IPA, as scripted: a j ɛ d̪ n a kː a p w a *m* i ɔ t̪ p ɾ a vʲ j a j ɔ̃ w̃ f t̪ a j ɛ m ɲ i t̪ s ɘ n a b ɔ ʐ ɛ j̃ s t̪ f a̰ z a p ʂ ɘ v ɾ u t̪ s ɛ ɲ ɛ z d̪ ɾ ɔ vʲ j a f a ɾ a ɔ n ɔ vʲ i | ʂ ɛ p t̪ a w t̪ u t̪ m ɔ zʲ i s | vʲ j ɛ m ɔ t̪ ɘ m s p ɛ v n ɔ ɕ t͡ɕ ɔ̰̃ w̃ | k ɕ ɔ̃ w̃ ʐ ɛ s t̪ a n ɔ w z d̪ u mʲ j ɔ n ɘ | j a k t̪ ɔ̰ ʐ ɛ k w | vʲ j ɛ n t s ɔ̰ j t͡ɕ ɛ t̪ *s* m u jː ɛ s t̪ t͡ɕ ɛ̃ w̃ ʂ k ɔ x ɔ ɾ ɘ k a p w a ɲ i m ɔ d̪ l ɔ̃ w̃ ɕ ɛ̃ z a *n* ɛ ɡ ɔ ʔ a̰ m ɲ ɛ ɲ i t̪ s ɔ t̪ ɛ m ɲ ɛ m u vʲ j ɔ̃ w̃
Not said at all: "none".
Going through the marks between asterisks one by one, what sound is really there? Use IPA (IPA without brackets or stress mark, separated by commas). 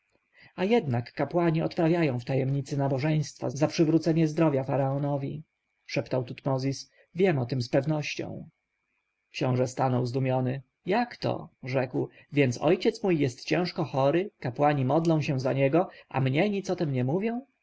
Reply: ɲ, s, ɲ